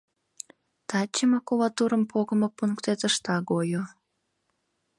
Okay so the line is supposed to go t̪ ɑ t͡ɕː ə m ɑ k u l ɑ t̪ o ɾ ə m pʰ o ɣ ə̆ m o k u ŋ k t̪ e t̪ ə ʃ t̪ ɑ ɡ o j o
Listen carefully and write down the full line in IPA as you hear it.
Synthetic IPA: t̪ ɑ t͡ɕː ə m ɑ k u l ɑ t̪ u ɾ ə m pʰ o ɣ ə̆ m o p u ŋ k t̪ e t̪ ə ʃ t̪ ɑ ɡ o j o